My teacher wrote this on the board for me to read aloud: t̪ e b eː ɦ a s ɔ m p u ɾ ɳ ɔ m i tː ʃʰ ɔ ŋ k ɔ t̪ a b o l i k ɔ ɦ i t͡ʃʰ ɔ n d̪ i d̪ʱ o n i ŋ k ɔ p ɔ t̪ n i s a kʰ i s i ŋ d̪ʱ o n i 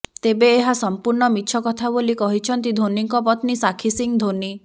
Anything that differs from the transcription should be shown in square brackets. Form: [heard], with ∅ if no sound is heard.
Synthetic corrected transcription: t̪ e b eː ɦ a s ɔ m p u ɾ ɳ ɔ m i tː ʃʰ ɔ [∅] k ɔ [t̪ʰ] a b o l i k ɔ ɦ i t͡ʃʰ ɔ n [t̪] i d̪ʱ o n i ŋ k ɔ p ɔ t̪ n i s a kʰ i s i ŋ d̪ʱ o n i